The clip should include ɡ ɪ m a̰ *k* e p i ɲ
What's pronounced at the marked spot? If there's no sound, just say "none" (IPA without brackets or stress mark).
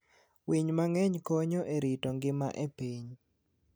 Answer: ʔ